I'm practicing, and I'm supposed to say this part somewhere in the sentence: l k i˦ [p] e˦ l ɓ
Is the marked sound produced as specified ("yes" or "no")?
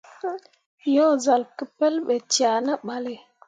yes